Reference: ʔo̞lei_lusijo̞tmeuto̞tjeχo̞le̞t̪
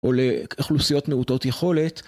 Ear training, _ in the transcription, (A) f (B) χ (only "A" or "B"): B